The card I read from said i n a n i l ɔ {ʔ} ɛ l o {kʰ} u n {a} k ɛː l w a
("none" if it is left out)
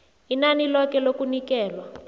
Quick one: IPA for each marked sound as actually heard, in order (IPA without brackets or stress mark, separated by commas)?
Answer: k, k, i